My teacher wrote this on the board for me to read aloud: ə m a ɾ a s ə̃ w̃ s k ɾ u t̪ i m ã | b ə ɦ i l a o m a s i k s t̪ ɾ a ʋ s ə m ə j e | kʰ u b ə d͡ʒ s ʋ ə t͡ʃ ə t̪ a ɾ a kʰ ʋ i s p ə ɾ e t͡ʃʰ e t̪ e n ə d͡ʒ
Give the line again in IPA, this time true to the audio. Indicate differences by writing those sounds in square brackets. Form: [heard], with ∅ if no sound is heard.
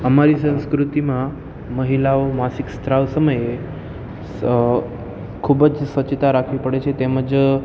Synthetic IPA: ə m a ɾ [i] s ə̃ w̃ s k ɾ u t̪ i m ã | [m] ə ɦ i l a o m a s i k s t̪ ɾ a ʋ s ə m ə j e | kʰ u b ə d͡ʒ s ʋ ə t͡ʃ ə t̪ a ɾ a kʰ ʋ i [∅] p ə [ɽ] e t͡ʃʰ e t̪ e [m] ə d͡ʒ

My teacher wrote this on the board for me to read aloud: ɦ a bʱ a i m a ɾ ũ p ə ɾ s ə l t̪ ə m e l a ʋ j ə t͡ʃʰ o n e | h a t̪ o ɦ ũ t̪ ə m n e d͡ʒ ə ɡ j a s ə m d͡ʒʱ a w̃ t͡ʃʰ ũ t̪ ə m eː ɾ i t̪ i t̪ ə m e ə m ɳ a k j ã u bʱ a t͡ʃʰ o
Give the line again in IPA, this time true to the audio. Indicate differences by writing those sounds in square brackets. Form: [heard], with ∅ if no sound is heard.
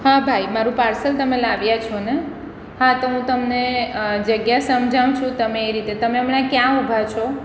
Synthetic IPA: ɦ a bʱ a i m a ɾ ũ p [a] ɾ s ə l t̪ ə m e l a ʋ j [a] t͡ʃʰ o n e | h a t̪ o ɦ ũ t̪ ə m n e d͡ʒ ə ɡ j a s ə m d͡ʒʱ a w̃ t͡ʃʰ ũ t̪ ə m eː ɾ i t̪ [e] t̪ ə m e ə m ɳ a k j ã u bʱ a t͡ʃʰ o

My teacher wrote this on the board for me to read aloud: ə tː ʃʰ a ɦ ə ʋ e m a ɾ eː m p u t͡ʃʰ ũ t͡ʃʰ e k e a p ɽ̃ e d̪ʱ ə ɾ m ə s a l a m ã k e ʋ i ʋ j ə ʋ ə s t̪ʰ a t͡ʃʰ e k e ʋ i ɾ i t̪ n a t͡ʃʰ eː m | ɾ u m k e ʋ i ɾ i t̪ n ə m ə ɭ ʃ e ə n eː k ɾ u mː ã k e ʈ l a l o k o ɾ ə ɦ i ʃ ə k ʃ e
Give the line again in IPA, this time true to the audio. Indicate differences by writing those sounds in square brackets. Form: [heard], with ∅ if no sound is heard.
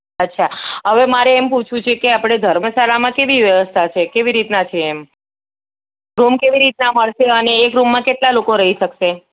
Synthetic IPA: ə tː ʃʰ a ɦ ə ʋ e m a ɾ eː m p u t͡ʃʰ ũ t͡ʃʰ e k e a p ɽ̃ e d̪ʱ ə ɾ m ə s a l a m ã k e ʋ i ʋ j ə ʋ ə s t̪ʰ a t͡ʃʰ e k e ʋ i ɾ i t̪ n a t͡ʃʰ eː m | ɾ u m k e ʋ i ɾ i t̪ n [a] m ə ɭ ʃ e ə n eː k ɾ u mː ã k e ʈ l a l o k o ɾ ə ɦ i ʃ ə k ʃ e

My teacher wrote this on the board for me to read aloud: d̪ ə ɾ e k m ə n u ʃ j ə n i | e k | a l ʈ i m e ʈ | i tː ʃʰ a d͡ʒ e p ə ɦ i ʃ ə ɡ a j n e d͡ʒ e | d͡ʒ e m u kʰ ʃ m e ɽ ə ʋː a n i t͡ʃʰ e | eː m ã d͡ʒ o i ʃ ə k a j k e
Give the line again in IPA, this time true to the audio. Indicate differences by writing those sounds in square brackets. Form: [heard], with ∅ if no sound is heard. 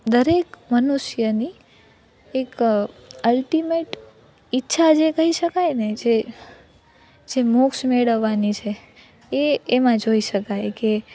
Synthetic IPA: d̪ ə ɾ e k m ə n u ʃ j ə n i | e k | [ə] l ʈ i m e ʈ | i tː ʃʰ a d͡ʒ e [k] ə ɦ i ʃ ə [k] a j n e d͡ʒ e | d͡ʒ e m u [k] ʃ m e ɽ ə ʋː a n i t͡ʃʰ e | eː m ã d͡ʒ o i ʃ ə k a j k e

